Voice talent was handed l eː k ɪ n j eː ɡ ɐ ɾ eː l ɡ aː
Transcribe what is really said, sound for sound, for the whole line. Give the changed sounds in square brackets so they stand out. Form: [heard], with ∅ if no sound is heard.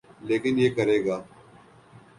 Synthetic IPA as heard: l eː k ɪ n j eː [k] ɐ ɾ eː [∅] ɡ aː

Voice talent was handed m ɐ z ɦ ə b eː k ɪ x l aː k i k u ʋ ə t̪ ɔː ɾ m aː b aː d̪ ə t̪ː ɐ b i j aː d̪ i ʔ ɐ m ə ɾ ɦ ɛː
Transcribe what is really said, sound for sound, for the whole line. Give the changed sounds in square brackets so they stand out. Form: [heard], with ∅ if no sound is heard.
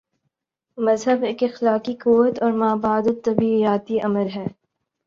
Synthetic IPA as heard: m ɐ z ɦ ə b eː k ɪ x l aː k i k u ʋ ə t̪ ɔː ɾ m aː b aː d̪ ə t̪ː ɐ b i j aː [t̪] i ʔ ɐ m ə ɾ ɦ ɛː

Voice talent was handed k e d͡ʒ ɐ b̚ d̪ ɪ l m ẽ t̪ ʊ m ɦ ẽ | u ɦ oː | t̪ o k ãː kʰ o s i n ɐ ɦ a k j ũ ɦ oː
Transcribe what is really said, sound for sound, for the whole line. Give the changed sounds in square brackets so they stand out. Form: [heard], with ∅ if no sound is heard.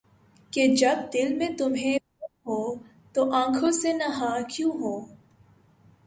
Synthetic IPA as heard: k e d͡ʒ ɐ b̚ d̪ ɪ l m ẽ t̪ ʊ m ɦ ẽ | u ɦ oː | t̪ o [ʔ] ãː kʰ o s [e] n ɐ ɦ a k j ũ ɦ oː

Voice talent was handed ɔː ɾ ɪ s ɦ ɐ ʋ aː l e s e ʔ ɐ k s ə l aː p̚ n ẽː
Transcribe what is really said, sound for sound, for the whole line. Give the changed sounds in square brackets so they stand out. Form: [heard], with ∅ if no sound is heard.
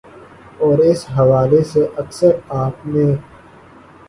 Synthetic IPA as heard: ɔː ɾ ɪ s ɦ ɐ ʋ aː l e s e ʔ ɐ k s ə [ɾ] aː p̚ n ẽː

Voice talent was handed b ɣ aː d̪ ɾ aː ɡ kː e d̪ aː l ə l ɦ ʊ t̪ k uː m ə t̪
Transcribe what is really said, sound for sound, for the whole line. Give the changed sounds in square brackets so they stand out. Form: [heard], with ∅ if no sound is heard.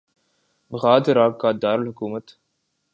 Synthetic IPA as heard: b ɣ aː d̪ ɾ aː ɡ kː [a] d̪ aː [ɾ] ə l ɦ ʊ [∅] k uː m ə t̪

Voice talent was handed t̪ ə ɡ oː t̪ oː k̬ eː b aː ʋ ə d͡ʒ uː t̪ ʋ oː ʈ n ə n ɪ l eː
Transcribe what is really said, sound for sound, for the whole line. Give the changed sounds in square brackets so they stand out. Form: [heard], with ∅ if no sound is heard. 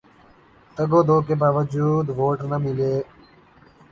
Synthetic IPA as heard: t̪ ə ɡ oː [d̪] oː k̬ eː b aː ʋ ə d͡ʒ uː [d̪] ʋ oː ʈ n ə [m] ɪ l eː

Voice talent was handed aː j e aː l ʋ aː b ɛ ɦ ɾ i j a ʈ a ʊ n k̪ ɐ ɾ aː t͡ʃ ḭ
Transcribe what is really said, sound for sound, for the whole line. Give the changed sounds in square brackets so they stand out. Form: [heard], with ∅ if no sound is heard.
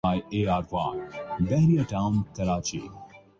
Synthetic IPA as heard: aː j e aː [ɾ] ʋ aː b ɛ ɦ ɾ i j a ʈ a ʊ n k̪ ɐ ɾ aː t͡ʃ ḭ

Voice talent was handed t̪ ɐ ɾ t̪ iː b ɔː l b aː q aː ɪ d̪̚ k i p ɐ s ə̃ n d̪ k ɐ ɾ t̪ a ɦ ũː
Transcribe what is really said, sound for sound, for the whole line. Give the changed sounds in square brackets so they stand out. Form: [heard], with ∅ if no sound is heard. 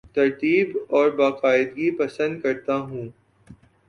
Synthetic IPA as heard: t̪ ɐ ɾ t̪ iː b ɔː [ɾ] b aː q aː ɪ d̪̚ [ɡ] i p ɐ s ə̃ n d̪ k ɐ ɾ t̪ a ɦ ũː

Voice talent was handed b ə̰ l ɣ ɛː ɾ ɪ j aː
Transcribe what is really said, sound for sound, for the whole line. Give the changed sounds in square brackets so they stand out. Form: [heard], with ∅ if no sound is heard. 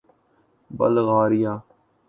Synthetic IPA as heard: b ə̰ l ɣ [aː] ɾ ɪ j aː

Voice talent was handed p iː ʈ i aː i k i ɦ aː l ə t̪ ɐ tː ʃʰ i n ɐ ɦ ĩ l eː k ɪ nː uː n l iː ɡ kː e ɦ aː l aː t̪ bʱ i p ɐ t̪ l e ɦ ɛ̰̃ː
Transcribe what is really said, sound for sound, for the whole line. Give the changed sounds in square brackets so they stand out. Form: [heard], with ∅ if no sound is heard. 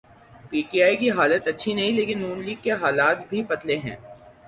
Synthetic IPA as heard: p iː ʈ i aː i k i ɦ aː l ə t̪ ɐ tː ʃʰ i n ɐ ɦ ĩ l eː k ɪ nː uː n l iː ɡ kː e ɦ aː l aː t̪ bʱ i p ɐ t̪ l e ɦ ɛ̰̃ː

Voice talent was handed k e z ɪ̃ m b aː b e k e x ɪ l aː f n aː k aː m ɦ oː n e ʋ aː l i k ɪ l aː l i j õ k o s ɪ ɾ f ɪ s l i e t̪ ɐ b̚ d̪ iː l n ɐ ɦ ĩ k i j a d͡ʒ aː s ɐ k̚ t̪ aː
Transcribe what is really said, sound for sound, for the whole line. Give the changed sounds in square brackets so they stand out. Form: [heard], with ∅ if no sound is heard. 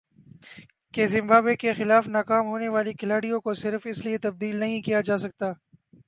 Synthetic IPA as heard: k e z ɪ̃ m b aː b e k e x ɪ l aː f n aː k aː m ɦ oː n e ʋ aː l i k ɪ l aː [ɽ] i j õ k o s ɪ ɾ f ɪ s l i e t̪ ɐ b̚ d̪ iː l n ɐ ɦ ĩ k i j a d͡ʒ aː s ɐ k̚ t̪ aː

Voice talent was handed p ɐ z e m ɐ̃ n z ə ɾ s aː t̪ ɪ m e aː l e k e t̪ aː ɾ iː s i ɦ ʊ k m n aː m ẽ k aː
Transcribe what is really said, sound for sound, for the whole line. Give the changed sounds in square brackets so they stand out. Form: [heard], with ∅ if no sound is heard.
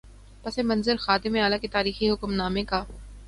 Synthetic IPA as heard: p ɐ [s] e m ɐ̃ n z ə ɾ [x] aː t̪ ɪ m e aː l [a] k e t̪ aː ɾ iː [x] i ɦ ʊ k m n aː m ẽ k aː

